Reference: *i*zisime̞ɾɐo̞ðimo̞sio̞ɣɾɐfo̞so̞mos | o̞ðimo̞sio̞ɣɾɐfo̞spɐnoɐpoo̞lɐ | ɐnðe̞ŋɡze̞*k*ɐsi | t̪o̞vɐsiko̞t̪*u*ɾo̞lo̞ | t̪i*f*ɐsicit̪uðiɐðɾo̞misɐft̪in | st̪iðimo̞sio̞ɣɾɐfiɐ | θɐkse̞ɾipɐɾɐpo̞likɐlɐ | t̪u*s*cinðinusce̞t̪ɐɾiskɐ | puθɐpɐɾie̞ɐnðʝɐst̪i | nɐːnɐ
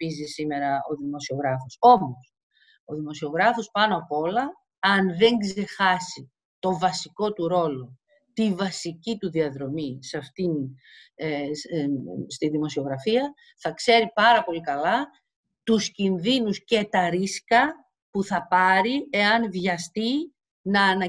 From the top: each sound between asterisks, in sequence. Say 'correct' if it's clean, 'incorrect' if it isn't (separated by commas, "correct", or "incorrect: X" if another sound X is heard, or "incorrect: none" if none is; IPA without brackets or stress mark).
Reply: correct, incorrect: x, correct, incorrect: v, correct